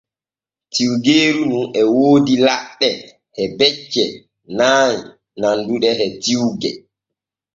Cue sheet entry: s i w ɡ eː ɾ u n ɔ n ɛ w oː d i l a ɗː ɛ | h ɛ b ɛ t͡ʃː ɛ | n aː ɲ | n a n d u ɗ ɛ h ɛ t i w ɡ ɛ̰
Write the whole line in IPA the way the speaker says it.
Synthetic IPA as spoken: t i w ɡ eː ɾ u n u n ɛ w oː d i l a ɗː ɛ | h ɛ b ɛ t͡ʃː ɛ | n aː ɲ | n a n d u ɗ ɛ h ɛ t i w ɡ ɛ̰